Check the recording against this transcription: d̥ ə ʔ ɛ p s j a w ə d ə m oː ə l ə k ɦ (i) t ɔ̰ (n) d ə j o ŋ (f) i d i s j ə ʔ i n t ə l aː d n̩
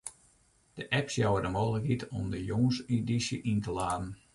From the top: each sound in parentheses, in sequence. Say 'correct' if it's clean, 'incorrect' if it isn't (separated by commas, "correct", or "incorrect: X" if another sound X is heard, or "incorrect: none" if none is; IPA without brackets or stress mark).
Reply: correct, incorrect: m, incorrect: s